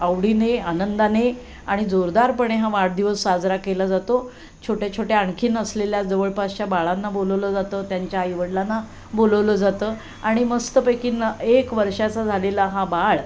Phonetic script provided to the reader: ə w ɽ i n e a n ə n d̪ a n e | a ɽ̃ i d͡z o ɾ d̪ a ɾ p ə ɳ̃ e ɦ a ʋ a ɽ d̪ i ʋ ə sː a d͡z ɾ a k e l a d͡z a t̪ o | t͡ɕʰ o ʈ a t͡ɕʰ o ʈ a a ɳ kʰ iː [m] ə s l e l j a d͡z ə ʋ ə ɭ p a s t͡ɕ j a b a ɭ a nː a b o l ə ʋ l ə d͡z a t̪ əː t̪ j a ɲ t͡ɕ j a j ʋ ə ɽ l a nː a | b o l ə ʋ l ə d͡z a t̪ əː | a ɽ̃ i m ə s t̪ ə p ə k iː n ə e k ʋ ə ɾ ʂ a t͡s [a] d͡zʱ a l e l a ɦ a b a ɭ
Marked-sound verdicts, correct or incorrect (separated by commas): incorrect, correct